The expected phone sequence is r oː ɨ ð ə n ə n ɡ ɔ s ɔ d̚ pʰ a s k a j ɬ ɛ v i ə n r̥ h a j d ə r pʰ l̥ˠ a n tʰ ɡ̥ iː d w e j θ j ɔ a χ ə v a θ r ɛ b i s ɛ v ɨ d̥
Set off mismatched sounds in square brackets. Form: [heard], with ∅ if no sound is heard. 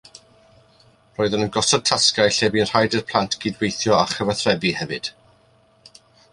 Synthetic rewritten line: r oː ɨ ð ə n ə n ɡ ɔ s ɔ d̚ [tʰ] a s k a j ɬ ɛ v i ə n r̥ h a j d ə r pʰ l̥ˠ a n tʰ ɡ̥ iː d w e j θ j ɔ a χ ə v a θ r ɛ b i [h] ɛ v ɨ d̥